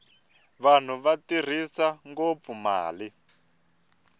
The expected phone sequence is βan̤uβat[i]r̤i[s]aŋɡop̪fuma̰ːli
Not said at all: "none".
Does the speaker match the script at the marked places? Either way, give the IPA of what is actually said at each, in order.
i, s

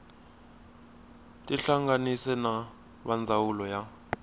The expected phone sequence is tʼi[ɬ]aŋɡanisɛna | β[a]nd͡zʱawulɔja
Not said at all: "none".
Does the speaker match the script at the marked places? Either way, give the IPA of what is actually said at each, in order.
ɬ, a

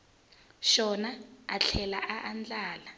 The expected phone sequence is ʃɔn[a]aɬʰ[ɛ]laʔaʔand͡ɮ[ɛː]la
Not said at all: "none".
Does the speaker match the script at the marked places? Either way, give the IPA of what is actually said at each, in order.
a, ɛ, aː

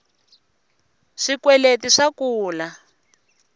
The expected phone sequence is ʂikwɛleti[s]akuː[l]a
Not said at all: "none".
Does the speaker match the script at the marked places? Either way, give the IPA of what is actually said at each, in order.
ʂ, l

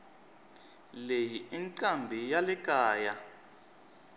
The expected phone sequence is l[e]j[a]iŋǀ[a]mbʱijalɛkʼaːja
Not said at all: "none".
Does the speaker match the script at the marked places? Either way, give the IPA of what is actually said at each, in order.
e, i, a

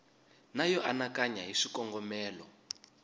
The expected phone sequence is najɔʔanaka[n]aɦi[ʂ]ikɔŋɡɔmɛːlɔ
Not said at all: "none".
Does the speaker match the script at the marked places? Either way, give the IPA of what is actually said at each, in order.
ɲ, ʂ

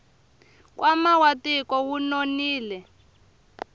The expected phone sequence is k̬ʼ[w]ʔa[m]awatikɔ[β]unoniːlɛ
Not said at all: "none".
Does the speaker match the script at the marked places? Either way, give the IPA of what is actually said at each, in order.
w, m, w

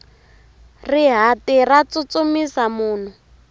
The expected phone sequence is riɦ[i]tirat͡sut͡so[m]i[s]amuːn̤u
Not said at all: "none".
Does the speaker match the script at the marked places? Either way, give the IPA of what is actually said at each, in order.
a, m, s

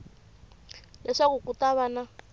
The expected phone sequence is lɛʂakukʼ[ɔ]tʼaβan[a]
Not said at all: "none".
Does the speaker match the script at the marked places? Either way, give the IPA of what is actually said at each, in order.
u, a

